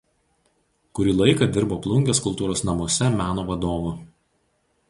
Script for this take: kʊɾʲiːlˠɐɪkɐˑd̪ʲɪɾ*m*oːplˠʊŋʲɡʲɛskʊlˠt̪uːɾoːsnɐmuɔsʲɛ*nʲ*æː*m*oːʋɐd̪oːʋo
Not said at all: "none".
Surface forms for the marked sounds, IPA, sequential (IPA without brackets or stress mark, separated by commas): b, mʲ, n